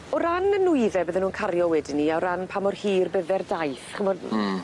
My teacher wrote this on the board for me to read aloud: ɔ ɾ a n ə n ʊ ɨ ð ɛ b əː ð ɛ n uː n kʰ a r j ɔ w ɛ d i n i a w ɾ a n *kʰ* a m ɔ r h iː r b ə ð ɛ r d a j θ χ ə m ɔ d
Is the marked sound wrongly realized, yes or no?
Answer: yes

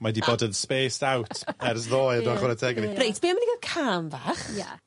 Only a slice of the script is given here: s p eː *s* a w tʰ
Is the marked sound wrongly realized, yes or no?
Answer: no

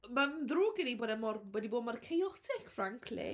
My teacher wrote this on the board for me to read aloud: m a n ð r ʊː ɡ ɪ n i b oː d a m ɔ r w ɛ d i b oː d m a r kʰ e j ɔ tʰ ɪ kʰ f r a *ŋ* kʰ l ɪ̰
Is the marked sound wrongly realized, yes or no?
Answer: no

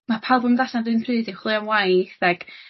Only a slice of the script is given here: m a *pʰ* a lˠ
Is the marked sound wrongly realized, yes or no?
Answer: no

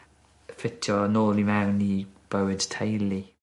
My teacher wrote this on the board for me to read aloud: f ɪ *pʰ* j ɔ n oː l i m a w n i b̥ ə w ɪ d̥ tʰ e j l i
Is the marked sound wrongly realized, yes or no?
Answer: yes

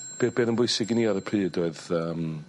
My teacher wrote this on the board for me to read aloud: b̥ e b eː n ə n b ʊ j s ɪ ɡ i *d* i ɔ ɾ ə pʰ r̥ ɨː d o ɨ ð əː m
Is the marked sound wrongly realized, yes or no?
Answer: yes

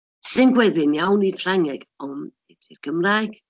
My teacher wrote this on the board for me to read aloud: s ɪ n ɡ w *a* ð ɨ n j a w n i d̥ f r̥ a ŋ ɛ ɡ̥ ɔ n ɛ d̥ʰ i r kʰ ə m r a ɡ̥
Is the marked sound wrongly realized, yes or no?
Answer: yes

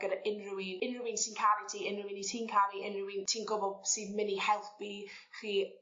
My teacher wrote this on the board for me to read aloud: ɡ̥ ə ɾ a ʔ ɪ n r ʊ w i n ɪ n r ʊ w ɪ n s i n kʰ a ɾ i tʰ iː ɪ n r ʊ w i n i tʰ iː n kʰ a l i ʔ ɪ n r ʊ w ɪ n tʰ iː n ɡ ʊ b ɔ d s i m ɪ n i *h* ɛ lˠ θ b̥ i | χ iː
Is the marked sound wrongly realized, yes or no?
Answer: no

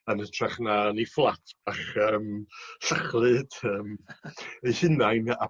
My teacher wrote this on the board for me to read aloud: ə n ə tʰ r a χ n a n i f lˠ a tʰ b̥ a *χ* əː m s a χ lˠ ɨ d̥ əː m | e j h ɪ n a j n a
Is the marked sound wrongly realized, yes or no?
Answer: no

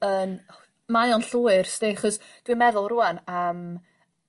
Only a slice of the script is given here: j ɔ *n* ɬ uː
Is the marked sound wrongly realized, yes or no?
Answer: no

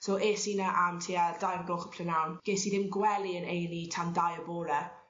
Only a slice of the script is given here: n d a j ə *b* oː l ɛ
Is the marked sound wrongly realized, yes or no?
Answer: no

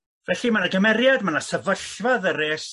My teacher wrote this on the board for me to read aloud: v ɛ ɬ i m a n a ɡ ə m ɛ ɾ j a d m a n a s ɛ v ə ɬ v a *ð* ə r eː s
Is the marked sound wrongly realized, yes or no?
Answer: no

